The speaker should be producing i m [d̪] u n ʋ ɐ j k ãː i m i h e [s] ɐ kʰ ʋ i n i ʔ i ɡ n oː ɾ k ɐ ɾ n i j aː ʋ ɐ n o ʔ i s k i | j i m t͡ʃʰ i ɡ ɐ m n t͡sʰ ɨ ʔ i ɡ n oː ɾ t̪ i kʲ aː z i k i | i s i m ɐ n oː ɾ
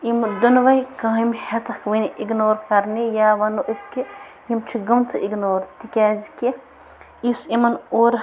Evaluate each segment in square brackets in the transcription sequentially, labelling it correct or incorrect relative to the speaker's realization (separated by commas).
correct, incorrect